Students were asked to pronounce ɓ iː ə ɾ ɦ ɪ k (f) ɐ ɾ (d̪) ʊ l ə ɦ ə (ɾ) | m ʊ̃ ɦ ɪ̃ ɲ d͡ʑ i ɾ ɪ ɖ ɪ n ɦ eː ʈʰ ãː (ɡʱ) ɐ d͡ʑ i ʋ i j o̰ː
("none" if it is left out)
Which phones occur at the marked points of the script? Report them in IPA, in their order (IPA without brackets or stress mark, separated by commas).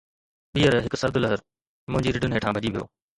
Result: s, d̪, ɾ, bʱ